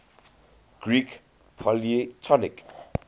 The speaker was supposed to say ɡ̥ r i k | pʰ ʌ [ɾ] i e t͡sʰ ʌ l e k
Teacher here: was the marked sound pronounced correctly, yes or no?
no